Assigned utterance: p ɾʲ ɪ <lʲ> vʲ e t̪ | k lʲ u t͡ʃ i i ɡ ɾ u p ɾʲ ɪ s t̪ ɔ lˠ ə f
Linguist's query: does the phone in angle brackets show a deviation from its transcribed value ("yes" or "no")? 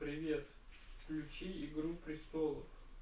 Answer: yes